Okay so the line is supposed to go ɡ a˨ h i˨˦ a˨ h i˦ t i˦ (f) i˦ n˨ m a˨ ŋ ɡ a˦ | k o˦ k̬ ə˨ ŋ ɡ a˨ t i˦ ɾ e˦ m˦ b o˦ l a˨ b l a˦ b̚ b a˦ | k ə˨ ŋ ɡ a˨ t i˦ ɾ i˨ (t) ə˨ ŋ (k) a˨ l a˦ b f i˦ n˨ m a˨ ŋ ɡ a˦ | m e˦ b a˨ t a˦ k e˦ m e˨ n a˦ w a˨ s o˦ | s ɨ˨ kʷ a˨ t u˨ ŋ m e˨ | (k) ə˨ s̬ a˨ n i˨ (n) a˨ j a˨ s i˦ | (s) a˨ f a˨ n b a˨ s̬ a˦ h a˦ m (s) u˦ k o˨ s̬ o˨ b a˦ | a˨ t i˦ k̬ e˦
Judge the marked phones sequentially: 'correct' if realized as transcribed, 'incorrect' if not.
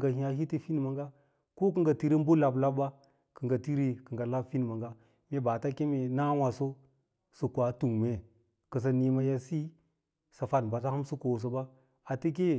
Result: correct, incorrect: k, incorrect: ɡ, correct, incorrect: m, correct, correct

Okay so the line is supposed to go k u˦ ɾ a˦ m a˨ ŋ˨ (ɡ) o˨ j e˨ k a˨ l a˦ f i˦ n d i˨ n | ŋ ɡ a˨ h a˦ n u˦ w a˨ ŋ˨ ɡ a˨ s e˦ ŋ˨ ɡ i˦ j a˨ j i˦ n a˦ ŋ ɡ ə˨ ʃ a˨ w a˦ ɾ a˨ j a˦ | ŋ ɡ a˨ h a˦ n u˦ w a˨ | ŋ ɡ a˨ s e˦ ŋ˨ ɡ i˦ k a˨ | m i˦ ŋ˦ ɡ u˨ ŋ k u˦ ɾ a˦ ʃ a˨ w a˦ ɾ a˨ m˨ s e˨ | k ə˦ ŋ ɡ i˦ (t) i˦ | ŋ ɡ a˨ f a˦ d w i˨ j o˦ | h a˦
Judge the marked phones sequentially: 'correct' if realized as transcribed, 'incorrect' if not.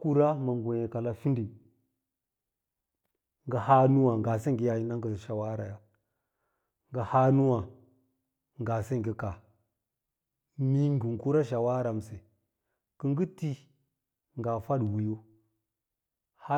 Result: correct, correct

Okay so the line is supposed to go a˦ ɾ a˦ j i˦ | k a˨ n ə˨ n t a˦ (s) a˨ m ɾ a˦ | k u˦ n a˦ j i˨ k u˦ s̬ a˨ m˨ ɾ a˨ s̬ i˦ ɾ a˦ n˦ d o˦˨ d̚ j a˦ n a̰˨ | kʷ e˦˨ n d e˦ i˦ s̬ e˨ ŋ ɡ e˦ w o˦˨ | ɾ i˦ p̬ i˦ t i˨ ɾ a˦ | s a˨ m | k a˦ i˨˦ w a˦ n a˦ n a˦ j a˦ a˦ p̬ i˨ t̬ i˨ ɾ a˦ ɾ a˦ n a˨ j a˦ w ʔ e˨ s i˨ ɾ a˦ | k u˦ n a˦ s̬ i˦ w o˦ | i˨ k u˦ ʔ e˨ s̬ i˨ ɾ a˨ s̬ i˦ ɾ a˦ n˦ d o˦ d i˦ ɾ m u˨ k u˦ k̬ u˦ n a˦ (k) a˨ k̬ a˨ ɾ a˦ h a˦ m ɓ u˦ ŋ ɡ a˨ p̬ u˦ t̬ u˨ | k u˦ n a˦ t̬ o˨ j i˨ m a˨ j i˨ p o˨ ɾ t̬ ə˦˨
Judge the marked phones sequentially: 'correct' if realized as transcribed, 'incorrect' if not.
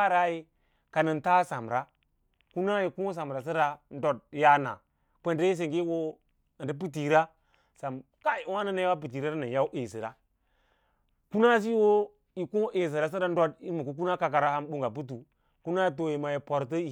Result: correct, correct

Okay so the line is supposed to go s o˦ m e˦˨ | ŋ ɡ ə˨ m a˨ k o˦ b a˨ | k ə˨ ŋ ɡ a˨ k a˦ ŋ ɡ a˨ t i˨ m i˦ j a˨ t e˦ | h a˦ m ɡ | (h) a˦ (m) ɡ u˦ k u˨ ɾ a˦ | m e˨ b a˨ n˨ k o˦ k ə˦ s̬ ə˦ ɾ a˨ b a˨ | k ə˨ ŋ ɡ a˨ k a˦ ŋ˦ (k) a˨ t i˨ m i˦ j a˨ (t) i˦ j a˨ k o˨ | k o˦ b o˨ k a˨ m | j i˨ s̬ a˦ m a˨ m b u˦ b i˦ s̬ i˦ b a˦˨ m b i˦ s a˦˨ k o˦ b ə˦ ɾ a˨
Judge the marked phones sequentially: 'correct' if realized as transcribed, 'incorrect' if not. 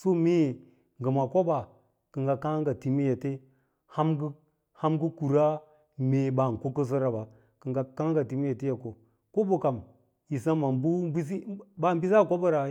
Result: correct, correct, incorrect: ɡ, correct

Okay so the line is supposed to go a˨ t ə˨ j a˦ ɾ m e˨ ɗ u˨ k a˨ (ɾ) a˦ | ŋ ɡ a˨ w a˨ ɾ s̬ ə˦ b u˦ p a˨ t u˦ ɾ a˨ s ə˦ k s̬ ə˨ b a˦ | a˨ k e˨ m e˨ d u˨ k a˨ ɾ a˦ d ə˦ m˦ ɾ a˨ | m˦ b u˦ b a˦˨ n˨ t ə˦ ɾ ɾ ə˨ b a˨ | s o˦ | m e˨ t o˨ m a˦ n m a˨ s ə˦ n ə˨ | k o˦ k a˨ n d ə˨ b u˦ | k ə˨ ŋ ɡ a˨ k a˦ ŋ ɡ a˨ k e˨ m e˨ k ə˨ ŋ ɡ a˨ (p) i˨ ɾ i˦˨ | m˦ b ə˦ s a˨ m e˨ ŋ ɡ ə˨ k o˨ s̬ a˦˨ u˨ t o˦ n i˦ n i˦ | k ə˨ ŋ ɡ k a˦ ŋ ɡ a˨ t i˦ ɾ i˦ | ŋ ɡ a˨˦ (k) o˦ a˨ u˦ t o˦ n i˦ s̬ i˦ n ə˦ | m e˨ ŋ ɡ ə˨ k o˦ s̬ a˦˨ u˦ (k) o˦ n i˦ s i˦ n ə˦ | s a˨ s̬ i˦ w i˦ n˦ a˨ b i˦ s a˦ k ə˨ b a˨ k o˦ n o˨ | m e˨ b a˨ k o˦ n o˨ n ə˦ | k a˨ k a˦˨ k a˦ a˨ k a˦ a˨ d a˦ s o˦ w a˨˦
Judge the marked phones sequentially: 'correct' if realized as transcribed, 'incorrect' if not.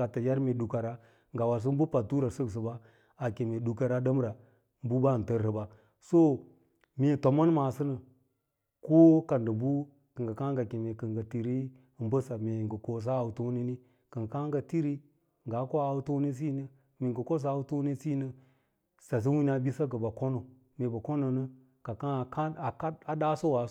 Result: correct, incorrect: t, correct, incorrect: t

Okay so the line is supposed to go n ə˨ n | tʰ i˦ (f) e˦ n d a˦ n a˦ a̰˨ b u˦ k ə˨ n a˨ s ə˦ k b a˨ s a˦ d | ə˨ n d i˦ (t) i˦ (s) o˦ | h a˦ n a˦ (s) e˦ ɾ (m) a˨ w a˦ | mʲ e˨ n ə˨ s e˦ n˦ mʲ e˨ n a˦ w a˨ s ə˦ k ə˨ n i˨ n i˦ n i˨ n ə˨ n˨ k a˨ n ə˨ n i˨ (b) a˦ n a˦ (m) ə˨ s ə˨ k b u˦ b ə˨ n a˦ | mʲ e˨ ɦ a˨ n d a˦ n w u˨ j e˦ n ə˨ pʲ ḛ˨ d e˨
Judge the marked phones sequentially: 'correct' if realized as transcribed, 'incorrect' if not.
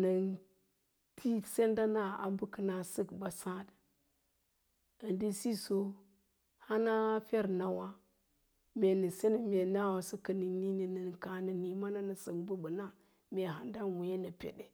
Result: incorrect: s, incorrect: s, correct, incorrect: f, incorrect: n, incorrect: m, incorrect: n

